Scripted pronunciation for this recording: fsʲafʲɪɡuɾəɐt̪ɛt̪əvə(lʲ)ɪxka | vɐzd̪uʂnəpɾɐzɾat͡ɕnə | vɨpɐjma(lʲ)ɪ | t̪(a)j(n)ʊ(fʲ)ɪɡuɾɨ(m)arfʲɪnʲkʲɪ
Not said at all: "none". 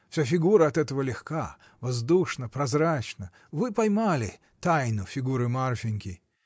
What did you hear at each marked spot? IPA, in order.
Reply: lʲ, lʲ, a, n, fʲ, m

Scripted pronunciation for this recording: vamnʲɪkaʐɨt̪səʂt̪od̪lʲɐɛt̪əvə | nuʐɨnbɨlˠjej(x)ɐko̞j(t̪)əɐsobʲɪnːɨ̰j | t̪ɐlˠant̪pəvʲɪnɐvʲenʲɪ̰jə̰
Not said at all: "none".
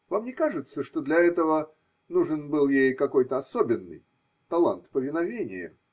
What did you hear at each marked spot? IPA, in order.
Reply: k, t̪

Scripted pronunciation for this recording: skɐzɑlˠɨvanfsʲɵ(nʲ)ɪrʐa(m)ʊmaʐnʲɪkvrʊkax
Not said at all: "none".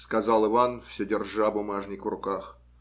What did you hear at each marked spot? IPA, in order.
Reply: dʲ, b

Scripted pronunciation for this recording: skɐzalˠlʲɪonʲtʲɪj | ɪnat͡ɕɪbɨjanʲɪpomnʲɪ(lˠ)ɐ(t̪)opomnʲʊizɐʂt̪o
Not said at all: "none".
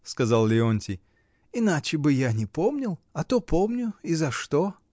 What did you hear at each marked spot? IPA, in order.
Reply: lˠ, t̪

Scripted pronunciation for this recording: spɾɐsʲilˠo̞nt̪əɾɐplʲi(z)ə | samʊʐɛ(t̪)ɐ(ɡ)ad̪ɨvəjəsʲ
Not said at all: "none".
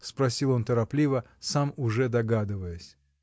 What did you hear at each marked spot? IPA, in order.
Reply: v, d̪, ɡ

